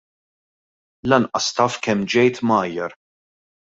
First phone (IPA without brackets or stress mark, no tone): l